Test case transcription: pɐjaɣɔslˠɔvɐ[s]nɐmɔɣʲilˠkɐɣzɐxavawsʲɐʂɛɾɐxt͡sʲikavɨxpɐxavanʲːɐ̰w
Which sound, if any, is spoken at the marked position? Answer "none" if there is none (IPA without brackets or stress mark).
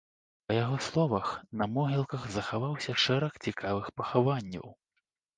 x